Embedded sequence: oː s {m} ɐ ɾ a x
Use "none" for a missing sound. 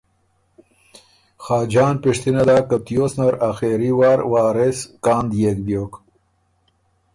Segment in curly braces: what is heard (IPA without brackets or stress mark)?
n